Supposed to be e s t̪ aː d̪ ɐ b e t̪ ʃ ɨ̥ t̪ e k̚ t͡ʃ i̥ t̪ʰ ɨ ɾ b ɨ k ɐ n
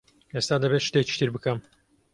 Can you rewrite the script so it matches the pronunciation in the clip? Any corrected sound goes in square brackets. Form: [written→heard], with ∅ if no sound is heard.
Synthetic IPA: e s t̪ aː d̪ ɐ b e t̪ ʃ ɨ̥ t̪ e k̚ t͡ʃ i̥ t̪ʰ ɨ ɾ b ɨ k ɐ [n→m]